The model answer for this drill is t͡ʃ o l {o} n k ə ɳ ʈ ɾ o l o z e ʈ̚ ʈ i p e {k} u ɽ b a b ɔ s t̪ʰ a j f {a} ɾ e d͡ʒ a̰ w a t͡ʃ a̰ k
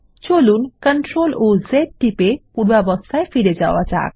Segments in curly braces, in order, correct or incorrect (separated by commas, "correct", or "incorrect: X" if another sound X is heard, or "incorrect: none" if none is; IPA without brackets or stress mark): incorrect: u, incorrect: p, incorrect: i